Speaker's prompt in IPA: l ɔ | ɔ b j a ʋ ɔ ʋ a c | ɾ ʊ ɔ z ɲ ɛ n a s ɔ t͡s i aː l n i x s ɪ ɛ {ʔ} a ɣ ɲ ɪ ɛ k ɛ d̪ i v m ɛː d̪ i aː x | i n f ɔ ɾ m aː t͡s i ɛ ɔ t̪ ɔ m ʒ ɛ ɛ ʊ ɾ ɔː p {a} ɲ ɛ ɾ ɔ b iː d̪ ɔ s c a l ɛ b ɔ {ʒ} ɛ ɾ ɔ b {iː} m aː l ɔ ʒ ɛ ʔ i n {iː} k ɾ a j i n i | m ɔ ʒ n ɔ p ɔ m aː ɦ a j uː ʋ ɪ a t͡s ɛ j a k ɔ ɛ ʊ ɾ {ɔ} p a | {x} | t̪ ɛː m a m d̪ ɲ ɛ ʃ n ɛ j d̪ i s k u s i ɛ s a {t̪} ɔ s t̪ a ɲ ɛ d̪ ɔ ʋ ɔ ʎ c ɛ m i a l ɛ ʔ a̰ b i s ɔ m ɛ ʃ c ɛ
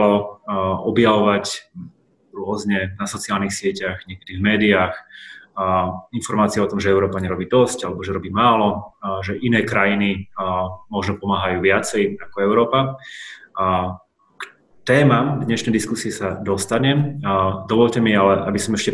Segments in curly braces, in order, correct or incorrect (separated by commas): incorrect, correct, correct, correct, incorrect, incorrect, incorrect, incorrect